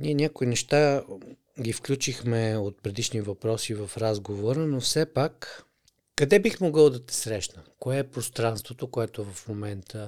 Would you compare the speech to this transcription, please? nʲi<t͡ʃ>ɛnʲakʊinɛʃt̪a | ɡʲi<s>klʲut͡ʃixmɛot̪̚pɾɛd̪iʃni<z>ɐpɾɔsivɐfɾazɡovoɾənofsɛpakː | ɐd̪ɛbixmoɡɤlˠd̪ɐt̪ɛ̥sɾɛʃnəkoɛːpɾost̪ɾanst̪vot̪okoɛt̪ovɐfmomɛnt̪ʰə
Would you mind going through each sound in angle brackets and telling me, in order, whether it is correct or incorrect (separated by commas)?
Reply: incorrect, incorrect, incorrect